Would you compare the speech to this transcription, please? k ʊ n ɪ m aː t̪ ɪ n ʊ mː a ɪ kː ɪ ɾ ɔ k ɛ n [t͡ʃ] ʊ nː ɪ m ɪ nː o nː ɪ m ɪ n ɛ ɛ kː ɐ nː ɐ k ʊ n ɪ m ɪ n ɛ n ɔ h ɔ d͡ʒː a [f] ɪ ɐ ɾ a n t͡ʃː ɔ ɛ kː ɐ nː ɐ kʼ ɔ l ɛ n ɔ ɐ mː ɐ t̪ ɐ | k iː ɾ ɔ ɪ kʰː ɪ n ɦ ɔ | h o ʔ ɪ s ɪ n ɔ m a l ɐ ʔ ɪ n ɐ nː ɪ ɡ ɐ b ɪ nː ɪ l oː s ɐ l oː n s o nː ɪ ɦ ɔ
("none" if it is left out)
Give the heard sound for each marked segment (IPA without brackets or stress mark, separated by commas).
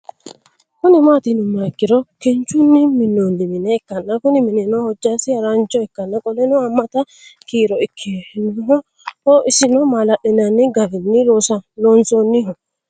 t͡ʃ, s